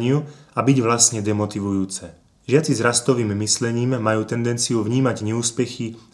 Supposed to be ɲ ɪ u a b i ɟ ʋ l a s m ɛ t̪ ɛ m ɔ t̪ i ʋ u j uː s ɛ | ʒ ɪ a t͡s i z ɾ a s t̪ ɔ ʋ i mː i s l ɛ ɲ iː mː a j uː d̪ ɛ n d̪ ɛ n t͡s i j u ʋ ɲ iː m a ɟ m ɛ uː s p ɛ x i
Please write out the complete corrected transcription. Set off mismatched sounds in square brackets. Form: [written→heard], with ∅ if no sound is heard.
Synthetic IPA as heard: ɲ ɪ u a b i ɟ ʋ l a s [m→ɲ] ɛ [t̪→d̪] ɛ m ɔ t̪ i ʋ u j uː [s→t͡s] ɛ | ʒ ɪ a t͡s i z ɾ a s t̪ ɔ ʋ [i→iː] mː i s l ɛ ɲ iː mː a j uː [d̪→t̪] ɛ n d̪ ɛ n t͡s i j u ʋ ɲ iː m a ɟ [m→ɲ] ɛ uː s p ɛ x i